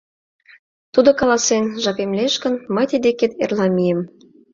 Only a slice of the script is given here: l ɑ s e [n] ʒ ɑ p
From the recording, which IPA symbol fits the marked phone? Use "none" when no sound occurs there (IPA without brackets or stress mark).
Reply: n